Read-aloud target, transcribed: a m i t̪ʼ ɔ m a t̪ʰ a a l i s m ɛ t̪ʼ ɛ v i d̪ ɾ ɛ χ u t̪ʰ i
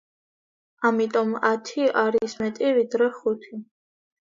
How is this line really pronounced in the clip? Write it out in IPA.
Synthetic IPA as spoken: a m i t̪ʼ ɔ m a t̪ʰ i a ɾ i s m ɛ t̪ʼ i v i d̪ ɾ ɛ χ u t̪ʰ i